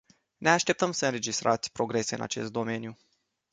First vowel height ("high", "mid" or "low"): mid